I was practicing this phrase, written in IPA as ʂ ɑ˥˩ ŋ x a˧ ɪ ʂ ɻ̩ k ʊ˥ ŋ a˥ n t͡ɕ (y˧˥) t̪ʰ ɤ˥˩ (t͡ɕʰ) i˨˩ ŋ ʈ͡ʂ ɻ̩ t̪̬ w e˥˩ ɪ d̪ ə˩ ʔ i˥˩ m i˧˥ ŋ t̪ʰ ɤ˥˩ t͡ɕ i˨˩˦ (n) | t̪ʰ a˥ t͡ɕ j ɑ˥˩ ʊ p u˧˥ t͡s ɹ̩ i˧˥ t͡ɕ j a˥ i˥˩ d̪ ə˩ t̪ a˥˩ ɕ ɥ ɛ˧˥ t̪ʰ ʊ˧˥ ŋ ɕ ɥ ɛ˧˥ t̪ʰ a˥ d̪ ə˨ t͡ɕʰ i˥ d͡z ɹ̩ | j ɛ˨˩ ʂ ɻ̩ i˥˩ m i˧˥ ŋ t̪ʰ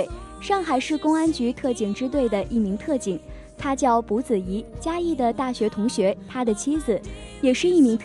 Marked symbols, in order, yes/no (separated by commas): yes, no, no